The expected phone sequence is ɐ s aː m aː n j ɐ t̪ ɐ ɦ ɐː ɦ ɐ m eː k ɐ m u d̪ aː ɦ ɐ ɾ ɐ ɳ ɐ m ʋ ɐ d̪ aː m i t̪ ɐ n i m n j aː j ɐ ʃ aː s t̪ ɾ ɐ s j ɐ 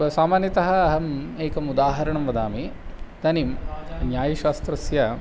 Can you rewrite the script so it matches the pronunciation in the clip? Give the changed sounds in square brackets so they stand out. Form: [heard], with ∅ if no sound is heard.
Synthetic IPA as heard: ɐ s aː m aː n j ɐ t̪ ɐ ɦ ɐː ɦ ɐ m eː k ɐ m u d̪ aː ɦ ɐ ɾ ɐ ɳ ɐ m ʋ ɐ d̪ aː m i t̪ ɐ n i m n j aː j ɐ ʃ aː s t̪ ɾ ɐ s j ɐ

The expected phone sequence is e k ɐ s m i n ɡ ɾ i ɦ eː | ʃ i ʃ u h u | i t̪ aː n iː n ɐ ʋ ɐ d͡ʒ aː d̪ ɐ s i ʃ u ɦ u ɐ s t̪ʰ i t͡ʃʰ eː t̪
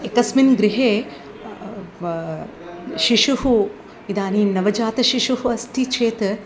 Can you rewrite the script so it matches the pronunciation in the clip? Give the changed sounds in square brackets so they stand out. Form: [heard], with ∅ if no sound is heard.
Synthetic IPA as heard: e k ɐ s m i n ɡ ɾ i ɦ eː | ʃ i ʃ u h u | i [d̪] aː n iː n ɐ ʋ ɐ d͡ʒ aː [t̪] ɐ [ʃ] i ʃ u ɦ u ɐ s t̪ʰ i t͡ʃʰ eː t̪

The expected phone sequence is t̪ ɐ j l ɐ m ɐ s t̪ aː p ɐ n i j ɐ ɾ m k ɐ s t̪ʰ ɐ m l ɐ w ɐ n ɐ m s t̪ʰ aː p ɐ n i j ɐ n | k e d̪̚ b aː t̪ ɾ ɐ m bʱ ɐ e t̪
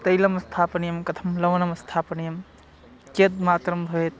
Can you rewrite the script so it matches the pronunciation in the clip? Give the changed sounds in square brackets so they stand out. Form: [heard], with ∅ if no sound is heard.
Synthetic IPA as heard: t̪ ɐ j l ɐ m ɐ s [t̪ʰ] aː p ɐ n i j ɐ [∅] m k ɐ [∅] t̪ʰ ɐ m l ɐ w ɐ n ɐ m s t̪ʰ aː p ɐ n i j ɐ [m] | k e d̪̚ [m] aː t̪ ɾ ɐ m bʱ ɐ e t̪

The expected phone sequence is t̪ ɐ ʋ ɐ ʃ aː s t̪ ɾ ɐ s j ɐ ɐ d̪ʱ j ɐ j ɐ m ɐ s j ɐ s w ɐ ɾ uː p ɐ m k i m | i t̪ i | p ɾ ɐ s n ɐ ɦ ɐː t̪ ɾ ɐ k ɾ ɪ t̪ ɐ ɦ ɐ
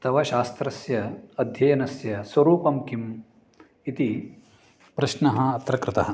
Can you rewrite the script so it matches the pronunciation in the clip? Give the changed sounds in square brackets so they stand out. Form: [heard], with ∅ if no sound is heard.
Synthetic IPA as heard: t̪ ɐ ʋ ɐ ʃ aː s t̪ ɾ ɐ s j ɐ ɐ d̪ʱ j ɐ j ɐ [n] ɐ s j ɐ s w ɐ ɾ uː p ɐ m k i m | i t̪ i | p ɾ ɐ [ʃ] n ɐ ɦ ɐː t̪ ɾ ɐ k ɾ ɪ t̪ ɐ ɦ ɐ

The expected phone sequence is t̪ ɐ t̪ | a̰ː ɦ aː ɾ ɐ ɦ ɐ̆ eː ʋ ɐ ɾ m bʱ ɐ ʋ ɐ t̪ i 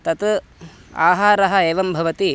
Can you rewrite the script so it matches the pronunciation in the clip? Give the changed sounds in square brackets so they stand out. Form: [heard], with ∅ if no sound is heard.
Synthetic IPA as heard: t̪ ɐ t̪ | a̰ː ɦ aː ɾ ɐ ɦ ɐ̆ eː ʋ ɐ [∅] m bʱ ɐ ʋ ɐ t̪ i

